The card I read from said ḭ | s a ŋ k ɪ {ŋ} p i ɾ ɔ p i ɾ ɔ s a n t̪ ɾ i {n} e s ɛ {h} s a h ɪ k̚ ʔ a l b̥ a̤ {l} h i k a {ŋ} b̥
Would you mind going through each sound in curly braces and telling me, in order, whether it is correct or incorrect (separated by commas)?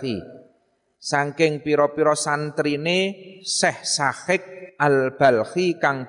correct, correct, correct, correct, correct